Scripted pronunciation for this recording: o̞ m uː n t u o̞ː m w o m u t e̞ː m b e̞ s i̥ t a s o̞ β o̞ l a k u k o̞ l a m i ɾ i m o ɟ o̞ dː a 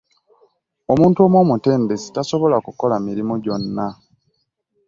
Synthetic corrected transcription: o̞ m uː n t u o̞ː m w o m u t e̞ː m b e̞ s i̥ t a s o̞ β o̞ l a k u k o̞ l a m i ɾ i m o ɟ o̞ nː a